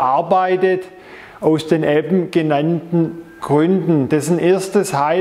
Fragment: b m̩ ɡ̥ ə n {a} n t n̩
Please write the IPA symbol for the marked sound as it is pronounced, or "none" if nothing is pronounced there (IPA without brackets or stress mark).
a